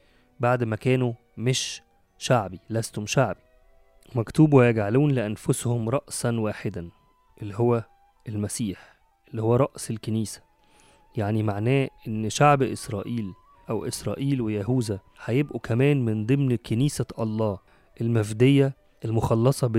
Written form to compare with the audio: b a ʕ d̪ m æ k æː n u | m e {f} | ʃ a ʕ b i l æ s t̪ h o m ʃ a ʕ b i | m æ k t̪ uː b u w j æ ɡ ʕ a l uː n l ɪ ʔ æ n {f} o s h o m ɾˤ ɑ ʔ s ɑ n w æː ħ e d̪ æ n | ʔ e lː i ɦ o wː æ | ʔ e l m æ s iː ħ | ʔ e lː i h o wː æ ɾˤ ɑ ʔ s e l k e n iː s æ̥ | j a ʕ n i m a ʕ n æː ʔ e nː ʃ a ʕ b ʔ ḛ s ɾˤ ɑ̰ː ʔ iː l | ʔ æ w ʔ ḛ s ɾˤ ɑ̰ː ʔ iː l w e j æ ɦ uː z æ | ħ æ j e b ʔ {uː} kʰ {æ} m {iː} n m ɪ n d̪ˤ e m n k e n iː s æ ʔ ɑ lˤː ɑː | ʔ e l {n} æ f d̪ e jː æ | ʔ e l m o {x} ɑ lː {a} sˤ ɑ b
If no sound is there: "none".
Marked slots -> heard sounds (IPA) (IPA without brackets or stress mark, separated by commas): ʃ, f, u, æ, æː, m, x, ɑ